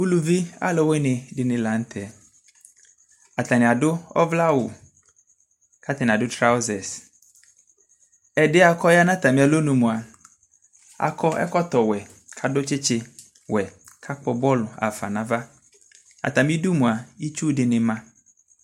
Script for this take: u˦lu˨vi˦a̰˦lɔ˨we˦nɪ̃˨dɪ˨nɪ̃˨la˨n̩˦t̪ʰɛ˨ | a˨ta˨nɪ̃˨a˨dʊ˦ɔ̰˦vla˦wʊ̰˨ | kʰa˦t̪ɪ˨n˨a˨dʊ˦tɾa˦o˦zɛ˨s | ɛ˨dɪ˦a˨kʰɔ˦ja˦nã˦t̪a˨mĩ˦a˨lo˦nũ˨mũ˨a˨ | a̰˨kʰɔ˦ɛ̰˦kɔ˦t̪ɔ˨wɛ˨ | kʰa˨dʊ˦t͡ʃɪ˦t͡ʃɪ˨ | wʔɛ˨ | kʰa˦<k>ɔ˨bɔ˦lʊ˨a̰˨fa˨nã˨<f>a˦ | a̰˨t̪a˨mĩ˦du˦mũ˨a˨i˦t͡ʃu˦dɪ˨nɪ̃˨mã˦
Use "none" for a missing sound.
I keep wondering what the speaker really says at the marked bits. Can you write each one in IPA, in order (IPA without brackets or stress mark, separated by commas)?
k͡p, v